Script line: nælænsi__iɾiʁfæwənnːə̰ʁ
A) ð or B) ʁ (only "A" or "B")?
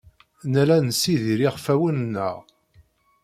A